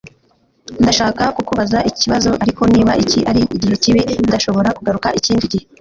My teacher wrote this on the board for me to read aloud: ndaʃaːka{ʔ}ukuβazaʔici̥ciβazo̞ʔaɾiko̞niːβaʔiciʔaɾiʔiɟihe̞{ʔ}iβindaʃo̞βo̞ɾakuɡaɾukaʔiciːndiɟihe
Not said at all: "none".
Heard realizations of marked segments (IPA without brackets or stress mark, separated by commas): k, c